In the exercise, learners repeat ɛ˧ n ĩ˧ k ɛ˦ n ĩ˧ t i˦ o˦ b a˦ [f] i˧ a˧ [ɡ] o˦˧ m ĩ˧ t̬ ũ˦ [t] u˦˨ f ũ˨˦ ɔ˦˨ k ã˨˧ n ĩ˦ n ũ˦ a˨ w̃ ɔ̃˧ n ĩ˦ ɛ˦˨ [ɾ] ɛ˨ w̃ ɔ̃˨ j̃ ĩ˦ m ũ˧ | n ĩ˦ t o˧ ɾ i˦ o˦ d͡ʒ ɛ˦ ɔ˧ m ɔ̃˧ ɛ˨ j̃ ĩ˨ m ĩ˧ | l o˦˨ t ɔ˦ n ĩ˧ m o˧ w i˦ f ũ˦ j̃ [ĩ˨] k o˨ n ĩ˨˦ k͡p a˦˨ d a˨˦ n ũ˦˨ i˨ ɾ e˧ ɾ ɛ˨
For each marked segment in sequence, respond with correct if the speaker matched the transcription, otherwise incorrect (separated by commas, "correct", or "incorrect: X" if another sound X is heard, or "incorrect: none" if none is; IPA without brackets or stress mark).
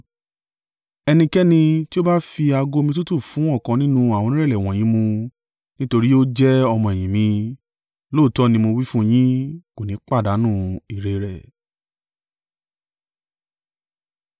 correct, correct, correct, incorrect: l, incorrect: ĩ˦